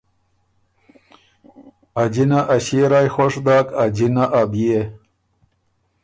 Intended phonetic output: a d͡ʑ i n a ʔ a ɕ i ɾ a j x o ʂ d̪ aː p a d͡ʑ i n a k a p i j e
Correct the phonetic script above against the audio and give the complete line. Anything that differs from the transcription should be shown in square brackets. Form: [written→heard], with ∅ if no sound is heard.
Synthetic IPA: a d͡ʑ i n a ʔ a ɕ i ɾ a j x o ʂ d̪ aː [p→k] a d͡ʑ i n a [k→ʔ] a [p→b] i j e